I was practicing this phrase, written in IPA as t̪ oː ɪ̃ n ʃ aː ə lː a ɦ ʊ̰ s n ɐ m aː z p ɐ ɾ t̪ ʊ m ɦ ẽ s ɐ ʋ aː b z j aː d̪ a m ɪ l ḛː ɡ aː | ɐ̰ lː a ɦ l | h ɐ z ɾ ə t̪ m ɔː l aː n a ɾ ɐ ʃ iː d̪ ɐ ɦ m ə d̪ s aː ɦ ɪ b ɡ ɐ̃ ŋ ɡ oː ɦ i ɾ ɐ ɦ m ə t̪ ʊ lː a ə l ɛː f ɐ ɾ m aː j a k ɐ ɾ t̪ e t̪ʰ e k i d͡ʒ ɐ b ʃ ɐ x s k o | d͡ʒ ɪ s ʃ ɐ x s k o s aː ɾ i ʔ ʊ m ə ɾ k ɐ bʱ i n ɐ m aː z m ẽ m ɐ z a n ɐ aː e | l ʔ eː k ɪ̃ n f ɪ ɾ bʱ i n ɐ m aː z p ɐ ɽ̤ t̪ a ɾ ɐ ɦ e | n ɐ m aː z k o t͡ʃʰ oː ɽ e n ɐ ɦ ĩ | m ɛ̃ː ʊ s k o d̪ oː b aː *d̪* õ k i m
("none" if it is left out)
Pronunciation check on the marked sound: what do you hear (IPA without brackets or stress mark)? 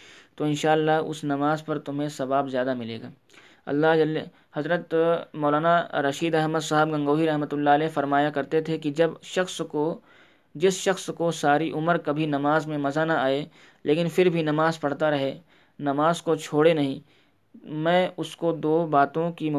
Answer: t̪